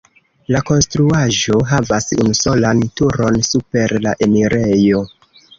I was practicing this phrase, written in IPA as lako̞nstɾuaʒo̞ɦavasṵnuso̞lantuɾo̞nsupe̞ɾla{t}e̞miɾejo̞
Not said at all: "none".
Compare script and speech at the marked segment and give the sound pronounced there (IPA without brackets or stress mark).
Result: ʔ